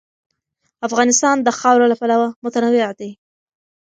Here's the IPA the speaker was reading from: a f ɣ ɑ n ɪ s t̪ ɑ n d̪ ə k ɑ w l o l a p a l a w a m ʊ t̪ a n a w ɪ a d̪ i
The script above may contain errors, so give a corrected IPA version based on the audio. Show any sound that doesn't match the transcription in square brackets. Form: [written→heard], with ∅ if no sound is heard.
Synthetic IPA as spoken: a f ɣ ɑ n ɪ s t̪ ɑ n d̪ ə [k→x] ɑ w [l→ɾ] o l a p a l a w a m ʊ t̪ a n a w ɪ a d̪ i